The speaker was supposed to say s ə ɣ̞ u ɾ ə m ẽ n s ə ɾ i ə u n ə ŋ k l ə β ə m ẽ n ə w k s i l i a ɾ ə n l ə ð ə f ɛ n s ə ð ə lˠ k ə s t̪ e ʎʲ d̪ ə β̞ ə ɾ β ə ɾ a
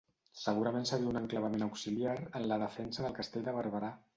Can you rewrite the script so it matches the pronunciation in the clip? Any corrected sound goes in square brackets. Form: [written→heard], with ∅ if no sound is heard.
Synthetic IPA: s ə ɣ̞ u ɾ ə m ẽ n s ə ɾ i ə u n ə ŋ k l ə β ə m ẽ n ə w k s i l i a ɾ ə n l ə ð ə f ɛ n s ə ð ə lˠ k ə s t̪ e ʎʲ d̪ ə β̞ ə ɾ β ə ɾ a

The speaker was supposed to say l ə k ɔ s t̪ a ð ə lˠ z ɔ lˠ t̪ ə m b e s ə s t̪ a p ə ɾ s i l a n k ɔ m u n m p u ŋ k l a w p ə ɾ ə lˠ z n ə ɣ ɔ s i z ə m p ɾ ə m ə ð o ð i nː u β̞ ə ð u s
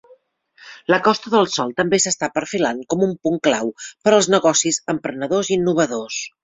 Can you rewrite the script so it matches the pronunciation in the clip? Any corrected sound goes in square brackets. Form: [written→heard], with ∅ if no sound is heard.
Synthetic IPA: l ə k ɔ s t̪ [a→ə] ð ə lˠ [z→s] ɔ lˠ t̪ ə m b e s ə s t̪ a p ə ɾ [s→f] i l a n k ɔ m u [n→∅] m p u ŋ k l a w p ə ɾ ə lˠ z n ə ɣ ɔ s i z ə m p ɾ ə [m→n] ə ð o [ð→z] i nː u β̞ ə ð [u→o] s

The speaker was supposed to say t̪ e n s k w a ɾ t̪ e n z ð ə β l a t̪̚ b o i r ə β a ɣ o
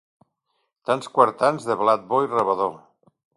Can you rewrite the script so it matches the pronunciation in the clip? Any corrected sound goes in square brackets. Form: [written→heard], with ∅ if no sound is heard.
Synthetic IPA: t̪ [e→a] n s k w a ɾ t̪ [e→a] n z ð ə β l a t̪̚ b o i r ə β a [ɣ→ð] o

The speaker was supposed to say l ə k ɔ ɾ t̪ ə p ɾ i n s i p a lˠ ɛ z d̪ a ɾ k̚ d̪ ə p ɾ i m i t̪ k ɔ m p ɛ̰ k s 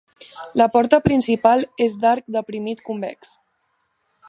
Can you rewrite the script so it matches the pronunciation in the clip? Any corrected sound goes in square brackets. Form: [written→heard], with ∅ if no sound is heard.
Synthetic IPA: l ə [k→p] ɔ ɾ t̪ ə p ɾ i n s i p a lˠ [ɛ→e] z d̪ a ɾ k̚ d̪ ə p ɾ i m i t̪ k [ɔ→u] m [p→b] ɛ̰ k s

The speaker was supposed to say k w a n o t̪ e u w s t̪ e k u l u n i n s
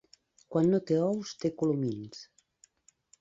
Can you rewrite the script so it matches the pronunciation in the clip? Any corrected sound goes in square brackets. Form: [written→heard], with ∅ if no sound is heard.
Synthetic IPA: k w a [n→nː] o t̪ e [u→ɔ] w s t̪ e k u l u [n→m] i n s

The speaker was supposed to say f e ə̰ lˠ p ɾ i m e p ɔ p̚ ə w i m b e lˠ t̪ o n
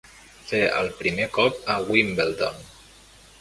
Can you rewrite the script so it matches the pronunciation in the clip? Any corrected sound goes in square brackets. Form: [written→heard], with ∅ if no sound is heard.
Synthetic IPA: f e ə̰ lˠ p ɾ i m e [p→k] ɔ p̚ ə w i m b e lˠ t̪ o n

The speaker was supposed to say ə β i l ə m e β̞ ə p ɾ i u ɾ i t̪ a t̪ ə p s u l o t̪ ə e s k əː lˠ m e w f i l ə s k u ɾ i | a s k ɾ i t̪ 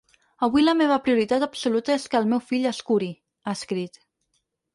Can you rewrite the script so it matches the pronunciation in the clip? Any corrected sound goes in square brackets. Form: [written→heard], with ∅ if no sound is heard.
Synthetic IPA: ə β i l ə m e β̞ ə p ɾ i u ɾ i t̪ a t̪ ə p s u l [o→u] t̪ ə e s k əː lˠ m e w f i [l→ʎ] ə s k u ɾ i | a s k ɾ i t̪

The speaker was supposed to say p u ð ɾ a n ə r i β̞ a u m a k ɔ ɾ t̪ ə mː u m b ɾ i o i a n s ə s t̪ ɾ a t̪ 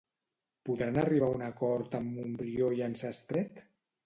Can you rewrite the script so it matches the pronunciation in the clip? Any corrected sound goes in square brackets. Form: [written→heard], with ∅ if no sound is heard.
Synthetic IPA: p u ð ɾ a n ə r i β̞ a u [m→n] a k ɔ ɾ t̪ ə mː u m b ɾ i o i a n s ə s t̪ ɾ [a→ɛ] t̪

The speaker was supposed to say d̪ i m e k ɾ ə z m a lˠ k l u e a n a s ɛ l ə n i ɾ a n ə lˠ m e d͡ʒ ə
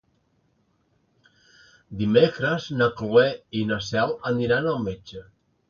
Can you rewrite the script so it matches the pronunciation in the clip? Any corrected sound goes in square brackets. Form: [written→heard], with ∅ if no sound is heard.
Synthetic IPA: d̪ i m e k ɾ ə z [m→n] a [lˠ→∅] k l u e [a→i] n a s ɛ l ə n i ɾ a n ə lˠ m e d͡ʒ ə

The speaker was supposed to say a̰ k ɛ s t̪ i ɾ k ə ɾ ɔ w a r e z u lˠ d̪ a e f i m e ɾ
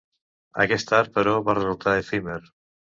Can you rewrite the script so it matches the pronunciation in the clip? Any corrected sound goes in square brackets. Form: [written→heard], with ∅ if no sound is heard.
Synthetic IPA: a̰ k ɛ s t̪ [i→a] ɾ [k→p] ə ɾ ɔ [w→β] a r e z u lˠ [d̪→t̪] a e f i m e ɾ

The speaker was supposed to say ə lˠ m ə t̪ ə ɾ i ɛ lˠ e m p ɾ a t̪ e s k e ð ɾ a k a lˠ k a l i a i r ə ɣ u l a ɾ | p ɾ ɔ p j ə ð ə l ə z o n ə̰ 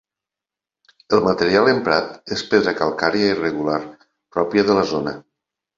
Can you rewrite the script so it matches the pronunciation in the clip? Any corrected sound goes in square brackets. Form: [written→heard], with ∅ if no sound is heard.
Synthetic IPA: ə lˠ m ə t̪ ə ɾ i [ɛ→a] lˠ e m p ɾ a t̪ e s [k→p] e ð ɾ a k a lˠ k a [l→ɾ] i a i r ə ɣ u l a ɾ | p ɾ ɔ p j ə ð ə l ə z o n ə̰

